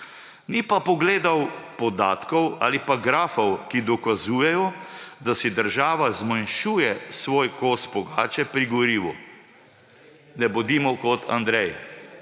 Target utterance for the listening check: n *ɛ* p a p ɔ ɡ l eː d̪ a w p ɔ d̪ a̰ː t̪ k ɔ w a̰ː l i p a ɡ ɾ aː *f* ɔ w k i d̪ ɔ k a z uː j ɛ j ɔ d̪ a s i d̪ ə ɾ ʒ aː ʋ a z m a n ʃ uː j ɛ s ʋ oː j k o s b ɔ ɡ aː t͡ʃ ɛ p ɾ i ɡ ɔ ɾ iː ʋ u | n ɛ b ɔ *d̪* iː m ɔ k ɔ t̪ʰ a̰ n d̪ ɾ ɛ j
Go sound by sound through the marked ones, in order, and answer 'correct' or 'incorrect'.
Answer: incorrect: i, correct, correct

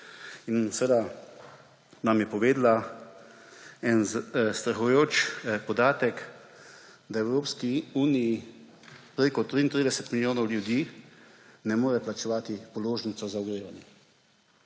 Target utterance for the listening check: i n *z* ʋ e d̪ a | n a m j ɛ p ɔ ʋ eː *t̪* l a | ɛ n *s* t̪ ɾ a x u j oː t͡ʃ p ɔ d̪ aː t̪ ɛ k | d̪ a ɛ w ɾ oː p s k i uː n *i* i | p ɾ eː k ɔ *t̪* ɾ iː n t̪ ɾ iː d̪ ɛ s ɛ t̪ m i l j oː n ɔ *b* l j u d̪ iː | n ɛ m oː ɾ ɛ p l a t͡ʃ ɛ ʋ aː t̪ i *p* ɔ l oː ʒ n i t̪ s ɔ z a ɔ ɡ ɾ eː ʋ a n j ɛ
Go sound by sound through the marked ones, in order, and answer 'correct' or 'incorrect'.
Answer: incorrect: s, incorrect: d̪, correct, correct, correct, incorrect: w, correct

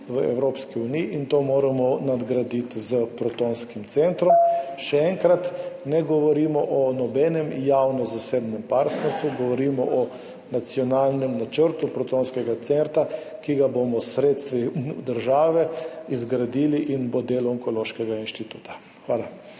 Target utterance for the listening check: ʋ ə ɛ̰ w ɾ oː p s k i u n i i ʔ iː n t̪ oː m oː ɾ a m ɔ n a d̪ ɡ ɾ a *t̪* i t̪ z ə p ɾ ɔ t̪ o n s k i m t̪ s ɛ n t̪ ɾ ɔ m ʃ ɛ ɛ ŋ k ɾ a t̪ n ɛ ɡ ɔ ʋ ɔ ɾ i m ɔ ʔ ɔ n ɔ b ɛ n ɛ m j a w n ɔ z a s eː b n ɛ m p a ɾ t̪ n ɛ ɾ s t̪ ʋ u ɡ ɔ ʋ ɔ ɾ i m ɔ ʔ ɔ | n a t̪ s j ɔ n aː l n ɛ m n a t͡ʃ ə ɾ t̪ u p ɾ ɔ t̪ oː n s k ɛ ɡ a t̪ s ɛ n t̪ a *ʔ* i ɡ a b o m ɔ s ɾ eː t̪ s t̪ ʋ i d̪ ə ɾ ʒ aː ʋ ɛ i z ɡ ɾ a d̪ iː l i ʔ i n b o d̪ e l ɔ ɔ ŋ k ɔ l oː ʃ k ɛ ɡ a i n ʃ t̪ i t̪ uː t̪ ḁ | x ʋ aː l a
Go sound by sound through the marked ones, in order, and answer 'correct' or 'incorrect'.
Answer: incorrect: d̪, incorrect: k

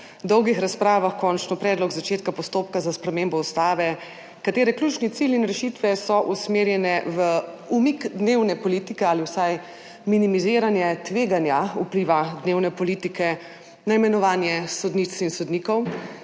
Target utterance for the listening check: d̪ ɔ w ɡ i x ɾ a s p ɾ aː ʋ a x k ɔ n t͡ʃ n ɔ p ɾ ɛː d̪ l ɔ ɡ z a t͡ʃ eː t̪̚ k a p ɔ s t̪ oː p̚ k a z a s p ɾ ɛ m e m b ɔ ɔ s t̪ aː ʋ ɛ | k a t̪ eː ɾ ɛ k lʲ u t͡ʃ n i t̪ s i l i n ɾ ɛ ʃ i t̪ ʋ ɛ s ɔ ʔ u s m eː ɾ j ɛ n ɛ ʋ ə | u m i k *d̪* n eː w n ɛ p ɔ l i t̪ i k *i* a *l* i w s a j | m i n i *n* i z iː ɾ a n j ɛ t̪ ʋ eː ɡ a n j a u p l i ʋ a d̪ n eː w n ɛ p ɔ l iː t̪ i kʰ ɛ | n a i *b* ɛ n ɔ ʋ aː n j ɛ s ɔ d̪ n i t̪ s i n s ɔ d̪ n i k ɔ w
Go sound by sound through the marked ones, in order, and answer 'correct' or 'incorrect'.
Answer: correct, incorrect: ɛ, correct, incorrect: m, incorrect: m

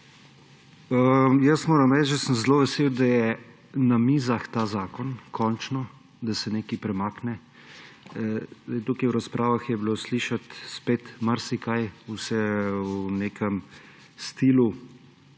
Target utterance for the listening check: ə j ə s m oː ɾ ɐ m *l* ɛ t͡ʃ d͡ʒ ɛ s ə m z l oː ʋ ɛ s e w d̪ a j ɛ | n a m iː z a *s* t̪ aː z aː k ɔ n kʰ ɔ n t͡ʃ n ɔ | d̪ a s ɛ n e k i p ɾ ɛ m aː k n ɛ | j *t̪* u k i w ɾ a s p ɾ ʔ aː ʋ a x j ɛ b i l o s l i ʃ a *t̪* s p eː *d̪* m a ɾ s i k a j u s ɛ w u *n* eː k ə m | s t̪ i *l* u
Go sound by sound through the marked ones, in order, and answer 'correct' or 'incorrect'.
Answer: incorrect: ɾ, incorrect: x, correct, correct, incorrect: t̪, correct, correct

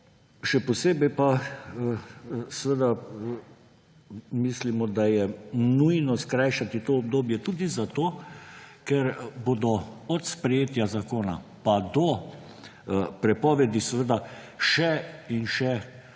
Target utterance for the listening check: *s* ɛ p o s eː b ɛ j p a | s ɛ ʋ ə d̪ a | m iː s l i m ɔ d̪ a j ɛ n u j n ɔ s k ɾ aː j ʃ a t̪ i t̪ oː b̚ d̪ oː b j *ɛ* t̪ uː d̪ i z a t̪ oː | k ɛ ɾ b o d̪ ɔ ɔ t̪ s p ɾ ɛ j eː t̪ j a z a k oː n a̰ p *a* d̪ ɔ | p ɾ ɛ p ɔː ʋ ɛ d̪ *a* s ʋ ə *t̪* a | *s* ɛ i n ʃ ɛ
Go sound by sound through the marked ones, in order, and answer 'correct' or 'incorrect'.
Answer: incorrect: ʃ, correct, correct, incorrect: i, incorrect: d̪, incorrect: ʃ

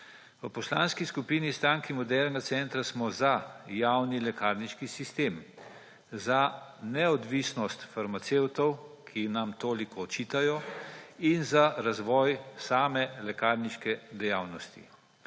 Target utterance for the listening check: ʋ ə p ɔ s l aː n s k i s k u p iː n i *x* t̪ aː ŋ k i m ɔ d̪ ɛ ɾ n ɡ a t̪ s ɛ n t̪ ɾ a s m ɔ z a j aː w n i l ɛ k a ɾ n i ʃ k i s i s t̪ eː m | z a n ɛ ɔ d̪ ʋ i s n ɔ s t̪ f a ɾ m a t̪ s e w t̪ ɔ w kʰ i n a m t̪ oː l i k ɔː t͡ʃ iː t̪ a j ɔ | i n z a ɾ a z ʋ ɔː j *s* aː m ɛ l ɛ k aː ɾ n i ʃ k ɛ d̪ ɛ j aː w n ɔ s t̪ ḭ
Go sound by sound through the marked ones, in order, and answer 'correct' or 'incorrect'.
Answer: incorrect: s, correct

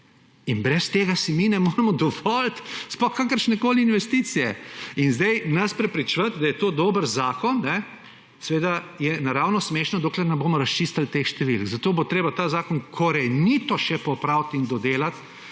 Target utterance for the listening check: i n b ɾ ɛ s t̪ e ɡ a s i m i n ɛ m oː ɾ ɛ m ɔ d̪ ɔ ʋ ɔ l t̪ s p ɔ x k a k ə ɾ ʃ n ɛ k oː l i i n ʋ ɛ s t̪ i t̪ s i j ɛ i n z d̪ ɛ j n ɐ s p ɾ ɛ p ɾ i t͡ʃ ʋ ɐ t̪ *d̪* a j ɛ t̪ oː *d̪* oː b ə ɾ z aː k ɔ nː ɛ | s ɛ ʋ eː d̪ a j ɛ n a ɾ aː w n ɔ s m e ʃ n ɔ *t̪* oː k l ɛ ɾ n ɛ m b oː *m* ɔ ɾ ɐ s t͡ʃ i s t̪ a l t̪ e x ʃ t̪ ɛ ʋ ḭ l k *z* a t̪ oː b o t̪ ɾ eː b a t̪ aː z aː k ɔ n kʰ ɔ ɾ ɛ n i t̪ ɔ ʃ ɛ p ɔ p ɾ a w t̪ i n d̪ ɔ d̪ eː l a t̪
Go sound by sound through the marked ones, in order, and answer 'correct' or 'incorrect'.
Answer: correct, correct, incorrect: d̪, correct, correct

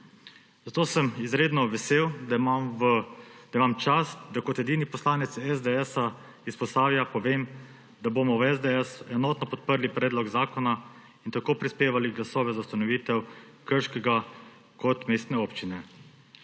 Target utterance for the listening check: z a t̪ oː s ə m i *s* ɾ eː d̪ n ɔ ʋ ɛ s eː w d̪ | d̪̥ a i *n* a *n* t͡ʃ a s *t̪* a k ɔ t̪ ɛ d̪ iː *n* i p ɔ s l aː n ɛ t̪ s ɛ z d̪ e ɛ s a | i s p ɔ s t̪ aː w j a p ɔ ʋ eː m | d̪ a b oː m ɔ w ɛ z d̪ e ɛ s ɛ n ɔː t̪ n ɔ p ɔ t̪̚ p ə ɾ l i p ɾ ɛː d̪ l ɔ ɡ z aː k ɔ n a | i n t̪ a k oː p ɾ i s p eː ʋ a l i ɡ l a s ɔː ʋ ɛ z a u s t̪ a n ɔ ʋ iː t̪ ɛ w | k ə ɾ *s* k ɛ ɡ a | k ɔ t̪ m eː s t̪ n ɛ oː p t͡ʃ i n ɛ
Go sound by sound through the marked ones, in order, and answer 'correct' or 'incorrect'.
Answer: incorrect: z, incorrect: m, incorrect: m, incorrect: d̪, correct, incorrect: ʃ

